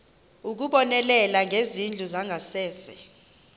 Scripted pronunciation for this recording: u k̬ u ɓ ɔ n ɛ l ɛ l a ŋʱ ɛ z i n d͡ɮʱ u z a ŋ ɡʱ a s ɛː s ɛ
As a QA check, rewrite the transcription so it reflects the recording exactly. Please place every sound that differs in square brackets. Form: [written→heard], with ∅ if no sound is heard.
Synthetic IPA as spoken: u k̬ u ɓ ɔ n ɛ l ɛ l a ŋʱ [ɛ→e] z i n d͡ɮʱ u z a ŋ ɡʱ a s ɛː s ɛ